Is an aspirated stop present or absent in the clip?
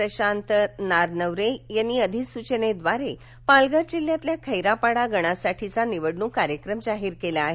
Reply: present